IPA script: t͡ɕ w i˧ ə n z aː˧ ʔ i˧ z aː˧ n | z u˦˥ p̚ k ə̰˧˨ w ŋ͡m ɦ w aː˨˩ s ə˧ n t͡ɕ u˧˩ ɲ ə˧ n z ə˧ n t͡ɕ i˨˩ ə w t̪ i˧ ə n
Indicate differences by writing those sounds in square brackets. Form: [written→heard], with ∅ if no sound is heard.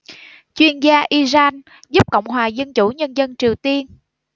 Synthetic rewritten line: t͡ɕ w i˧ ə n z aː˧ ʔ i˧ z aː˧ n | z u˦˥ p̚ k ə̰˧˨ w ŋ͡m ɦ w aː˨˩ [s→z] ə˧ n t͡ɕ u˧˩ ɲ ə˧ n z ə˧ n t͡ɕ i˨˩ ə w t̪ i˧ ə n